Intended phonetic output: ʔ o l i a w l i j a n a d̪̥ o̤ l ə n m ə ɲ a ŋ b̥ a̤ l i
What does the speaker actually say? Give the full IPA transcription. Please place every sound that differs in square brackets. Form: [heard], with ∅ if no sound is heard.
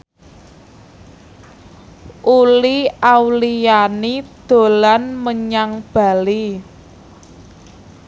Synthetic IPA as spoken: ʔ [u] l i a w l i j a n [i] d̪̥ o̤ l [a] n m ə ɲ a ŋ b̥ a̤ l i